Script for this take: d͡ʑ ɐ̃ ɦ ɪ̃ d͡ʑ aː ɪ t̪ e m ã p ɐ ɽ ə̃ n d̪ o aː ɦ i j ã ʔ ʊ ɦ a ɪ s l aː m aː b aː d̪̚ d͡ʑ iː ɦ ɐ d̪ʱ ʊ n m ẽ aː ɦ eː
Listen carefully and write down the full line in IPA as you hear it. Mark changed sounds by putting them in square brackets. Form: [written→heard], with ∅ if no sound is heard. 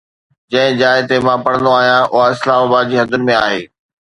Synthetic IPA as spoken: d͡ʑ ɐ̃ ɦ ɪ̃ d͡ʑ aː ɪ t̪ e m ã p ɐ ɽ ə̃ n d̪ o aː ɦ i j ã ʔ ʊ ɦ a ɪ s l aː m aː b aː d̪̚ d͡ʑ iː ɦ ɐ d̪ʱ ʊ n m ẽ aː ɦ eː